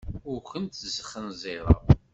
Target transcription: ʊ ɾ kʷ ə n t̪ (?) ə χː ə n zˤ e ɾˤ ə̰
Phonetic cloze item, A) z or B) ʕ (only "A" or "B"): A